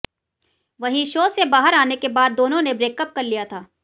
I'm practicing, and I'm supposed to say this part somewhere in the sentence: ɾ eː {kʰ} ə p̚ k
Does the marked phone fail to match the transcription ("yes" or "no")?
yes